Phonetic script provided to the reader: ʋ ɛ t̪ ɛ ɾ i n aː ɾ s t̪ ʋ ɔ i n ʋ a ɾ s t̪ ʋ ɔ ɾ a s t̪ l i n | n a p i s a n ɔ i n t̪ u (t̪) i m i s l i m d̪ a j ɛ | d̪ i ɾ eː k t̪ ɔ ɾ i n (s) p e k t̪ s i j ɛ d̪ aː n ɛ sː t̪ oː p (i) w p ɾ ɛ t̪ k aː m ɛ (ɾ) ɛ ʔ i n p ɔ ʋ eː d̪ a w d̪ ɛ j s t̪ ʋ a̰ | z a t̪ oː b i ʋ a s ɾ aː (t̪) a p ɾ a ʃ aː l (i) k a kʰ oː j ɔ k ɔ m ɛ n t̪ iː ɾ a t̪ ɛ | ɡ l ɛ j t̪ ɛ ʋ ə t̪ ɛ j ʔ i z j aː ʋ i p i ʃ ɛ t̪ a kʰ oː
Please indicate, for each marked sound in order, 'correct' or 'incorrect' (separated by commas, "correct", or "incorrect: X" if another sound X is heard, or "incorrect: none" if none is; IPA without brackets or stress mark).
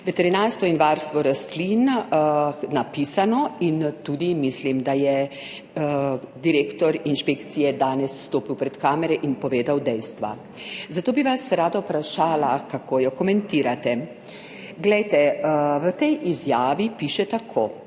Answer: incorrect: d̪, incorrect: ʃ, correct, correct, incorrect: d̪, incorrect: a